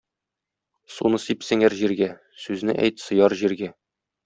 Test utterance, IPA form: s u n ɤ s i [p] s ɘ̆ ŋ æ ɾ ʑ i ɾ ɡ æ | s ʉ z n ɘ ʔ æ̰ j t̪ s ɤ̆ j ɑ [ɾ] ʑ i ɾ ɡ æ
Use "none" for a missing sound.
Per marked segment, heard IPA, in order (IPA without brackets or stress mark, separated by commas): p, ɾ